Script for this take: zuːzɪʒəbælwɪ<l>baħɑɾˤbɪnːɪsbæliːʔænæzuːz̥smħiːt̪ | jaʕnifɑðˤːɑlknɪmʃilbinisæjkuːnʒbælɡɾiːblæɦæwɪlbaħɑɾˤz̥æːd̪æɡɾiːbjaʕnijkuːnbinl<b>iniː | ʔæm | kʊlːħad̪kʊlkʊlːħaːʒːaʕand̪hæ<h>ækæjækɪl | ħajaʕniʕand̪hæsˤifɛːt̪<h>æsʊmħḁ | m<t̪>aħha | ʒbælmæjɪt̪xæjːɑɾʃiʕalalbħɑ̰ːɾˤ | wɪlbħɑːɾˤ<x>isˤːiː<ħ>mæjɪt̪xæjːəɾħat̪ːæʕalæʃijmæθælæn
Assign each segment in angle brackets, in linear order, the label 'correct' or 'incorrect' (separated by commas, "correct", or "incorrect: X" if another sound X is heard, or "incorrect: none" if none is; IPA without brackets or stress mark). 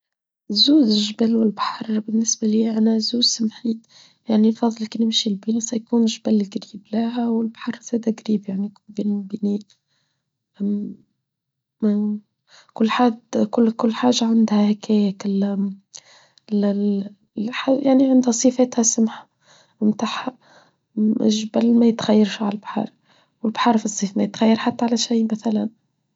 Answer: correct, correct, correct, correct, correct, incorrect: f, incorrect: f